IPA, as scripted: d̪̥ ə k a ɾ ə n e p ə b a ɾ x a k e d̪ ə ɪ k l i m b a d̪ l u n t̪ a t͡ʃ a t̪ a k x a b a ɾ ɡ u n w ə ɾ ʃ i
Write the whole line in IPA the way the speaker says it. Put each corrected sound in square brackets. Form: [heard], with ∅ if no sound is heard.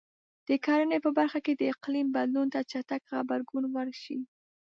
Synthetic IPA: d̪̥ ə k [ɑ] ɾ ə n e p ə b a ɾ x a k e d̪ ə ɪ [q] l i m b a d̪ l u n t̪ a t͡ʃ a t̪ a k x a b a ɾ ɡ u n w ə ɾ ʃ i

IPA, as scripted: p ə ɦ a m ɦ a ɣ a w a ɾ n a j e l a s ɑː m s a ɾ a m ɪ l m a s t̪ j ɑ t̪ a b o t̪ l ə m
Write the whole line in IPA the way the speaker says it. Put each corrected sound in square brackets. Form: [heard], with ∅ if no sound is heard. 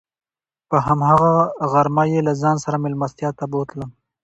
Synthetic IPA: p ə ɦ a m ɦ a ɣ a [ɣ] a ɾ [m] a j e l a [z] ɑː [n] s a ɾ a m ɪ l m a s t̪ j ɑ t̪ a b o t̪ l ə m

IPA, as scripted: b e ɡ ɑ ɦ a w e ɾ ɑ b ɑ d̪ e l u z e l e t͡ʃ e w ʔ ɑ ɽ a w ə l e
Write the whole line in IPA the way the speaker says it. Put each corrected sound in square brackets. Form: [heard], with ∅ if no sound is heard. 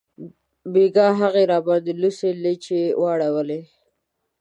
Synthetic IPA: b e ɡ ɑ ɦ a [ɣ] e ɾ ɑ b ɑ d̪ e l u [s] e l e t͡ʃ e w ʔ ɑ ɽ a w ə l e

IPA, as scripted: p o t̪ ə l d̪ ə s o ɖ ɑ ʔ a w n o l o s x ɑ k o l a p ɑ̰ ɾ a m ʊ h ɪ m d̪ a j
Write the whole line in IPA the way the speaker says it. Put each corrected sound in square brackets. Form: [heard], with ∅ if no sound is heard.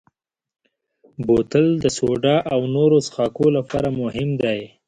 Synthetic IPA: [b] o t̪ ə l d̪ ə s o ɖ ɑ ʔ a w n o [ɾ] o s x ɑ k o l a p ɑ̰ ɾ a m ʊ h ɪ m d̪ a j

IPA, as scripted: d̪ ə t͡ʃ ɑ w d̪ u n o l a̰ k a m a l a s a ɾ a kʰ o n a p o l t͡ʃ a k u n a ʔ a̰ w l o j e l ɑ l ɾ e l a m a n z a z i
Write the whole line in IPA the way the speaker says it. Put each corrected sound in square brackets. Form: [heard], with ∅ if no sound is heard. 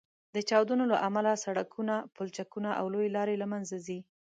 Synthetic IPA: d̪ ə t͡ʃ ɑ w d̪ u n o l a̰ [ʔ] a m a l a s a [ɽ] a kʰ [u] n a p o l t͡ʃ a k u n a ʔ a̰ w l o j e l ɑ [∅] ɾ e l a m a n z a z i

